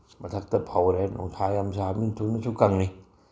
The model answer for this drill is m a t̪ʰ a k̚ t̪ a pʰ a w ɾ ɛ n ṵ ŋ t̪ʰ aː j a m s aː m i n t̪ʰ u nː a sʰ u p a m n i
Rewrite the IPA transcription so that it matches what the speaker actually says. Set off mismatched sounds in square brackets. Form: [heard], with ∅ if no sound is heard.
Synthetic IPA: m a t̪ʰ a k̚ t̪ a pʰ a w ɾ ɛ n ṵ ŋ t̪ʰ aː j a m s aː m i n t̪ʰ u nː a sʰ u [k] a [ŋ] n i